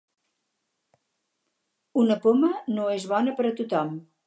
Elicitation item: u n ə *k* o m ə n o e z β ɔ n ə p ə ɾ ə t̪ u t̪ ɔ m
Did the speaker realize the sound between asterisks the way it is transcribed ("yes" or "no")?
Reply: no